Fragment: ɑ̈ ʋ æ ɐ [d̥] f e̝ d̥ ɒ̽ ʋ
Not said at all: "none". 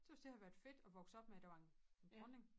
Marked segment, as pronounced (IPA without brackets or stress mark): d̥